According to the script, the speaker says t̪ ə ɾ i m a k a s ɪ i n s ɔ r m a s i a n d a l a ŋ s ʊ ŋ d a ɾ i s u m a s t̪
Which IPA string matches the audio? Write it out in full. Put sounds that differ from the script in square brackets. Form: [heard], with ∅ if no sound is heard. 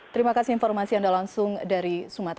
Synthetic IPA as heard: t̪ ə ɾ i m a k a s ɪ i n [f] ɔ r m a s i a n d a l a ŋ s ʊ ŋ d a ɾ i s u m a [∅] t̪